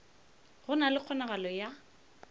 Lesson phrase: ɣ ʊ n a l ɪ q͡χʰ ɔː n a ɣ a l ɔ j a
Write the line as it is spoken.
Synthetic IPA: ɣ ʊ n a l ɪ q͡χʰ ɔ n a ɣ a l ɔ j a